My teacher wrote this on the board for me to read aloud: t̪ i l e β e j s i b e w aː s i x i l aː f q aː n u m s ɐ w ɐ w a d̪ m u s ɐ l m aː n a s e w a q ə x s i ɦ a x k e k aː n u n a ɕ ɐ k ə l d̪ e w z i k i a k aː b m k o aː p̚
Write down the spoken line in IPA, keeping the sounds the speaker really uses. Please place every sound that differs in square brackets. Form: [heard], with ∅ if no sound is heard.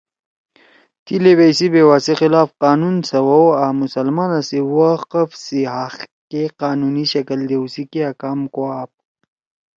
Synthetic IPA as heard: t̪ i l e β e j s i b e w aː s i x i l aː f q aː n u [n] s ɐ w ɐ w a [∅] m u s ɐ l m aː n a s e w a q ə [f] s i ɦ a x k e [q] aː n u n [i] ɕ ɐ k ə l d̪ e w [s] i k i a k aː [∅] m k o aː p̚